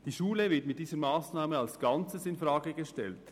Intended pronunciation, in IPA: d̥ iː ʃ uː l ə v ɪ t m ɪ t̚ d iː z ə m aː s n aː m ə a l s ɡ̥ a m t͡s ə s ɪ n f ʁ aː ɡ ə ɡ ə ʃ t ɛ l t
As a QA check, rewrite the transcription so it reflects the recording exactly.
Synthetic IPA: d̥ iː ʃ uː l ə v ɪ t m ɪ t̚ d iː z ə m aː s n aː m ə a l s ɡ̥ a n t͡s ə s ɪ n f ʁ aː ɡ ə ɡ ə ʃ t ɛ l t